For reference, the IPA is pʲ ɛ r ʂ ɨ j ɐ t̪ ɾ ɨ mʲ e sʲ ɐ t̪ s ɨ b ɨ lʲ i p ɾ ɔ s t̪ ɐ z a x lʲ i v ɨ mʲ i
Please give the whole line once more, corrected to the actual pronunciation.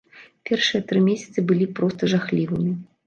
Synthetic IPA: pʲ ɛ r ʂ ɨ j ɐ t̪ ɾ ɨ mʲ e sʲ ɐ t̪ s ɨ b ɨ lʲ i p ɾ ɔ s t̪ ɐ ʐ a x lʲ i v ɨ mʲ i

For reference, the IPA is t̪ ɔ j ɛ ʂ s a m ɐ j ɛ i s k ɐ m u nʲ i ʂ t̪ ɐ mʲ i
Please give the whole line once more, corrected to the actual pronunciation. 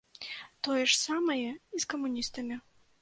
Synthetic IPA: t̪ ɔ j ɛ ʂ s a m ɐ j ɛ i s k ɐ m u nʲ i s t̪ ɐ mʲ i

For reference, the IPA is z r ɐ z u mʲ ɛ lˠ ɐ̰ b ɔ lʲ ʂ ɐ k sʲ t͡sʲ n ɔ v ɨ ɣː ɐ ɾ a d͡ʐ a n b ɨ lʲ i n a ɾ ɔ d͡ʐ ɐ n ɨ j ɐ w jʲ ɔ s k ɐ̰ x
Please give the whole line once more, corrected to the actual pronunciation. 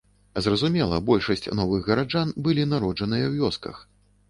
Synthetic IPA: z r ɐ z u mʲ ɛ lˠ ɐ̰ b ɔ lʲ ʂ ɐ sʲ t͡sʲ n ɔ v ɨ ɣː ɐ ɾ a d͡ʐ a n b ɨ lʲ i n a ɾ ɔ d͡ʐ ɐ n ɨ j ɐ w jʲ ɔ s k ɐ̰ x

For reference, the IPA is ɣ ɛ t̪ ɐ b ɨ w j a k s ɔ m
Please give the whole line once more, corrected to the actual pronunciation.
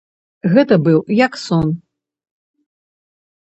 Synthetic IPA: ɣ ɛ t̪ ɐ b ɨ w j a k s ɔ n

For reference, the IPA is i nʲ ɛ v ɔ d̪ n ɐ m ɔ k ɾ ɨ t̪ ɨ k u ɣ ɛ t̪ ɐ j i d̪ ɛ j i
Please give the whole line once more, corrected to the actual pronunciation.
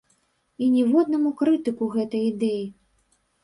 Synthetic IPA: i nʲ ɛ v ɔ d̪ n ɐ m u k ɾ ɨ t̪ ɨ k u ɣ ɛ t̪ ɐ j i d̪ ɛ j i

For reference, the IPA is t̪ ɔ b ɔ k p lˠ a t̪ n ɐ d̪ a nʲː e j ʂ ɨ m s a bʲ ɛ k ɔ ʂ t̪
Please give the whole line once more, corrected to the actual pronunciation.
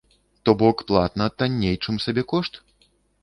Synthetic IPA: t̪ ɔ b ɔ k p lˠ a t̪ n ɐ t̪ a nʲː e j t͡ʂ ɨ m s a bʲ ɛ k ɔ ʂ t̪

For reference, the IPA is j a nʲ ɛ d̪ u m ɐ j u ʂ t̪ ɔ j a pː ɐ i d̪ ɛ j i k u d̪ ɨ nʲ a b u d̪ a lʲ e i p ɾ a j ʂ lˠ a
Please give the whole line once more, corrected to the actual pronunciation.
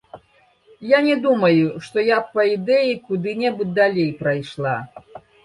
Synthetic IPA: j a nʲ ɛ d̪ u m ɐ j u ʂ t̪ ɔ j a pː ɐ i d̪ ɛ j i k u d̪ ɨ nʲ ɛ b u d̪ a lʲ e j p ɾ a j ʂ lˠ a

